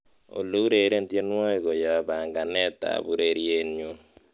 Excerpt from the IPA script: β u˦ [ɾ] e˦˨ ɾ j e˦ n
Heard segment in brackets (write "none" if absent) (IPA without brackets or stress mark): ɾ